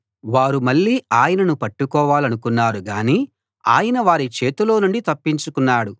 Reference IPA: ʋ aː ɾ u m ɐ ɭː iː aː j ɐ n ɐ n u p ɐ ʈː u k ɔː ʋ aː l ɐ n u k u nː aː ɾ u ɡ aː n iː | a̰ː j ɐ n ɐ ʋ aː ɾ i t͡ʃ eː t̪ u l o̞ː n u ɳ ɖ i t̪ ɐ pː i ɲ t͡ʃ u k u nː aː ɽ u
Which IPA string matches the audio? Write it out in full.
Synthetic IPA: ʋ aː ɾ u m ɐ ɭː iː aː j ɐ n ɐ n u p ɐ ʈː u k ɔː ʋ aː l ɐ n u k u nː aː ɾ u ɡ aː n iː | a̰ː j ɐ n ɐ ʋ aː ɾ i t͡ʃ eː t̪ u l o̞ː n u ɳ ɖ i t̪ ɐ pː i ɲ t͡ʃ u k u nː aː ɽ u